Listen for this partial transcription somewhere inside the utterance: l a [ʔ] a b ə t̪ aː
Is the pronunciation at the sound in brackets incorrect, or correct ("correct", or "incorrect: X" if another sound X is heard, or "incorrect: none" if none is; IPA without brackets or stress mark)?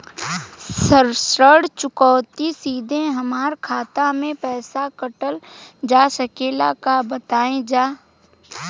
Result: incorrect: k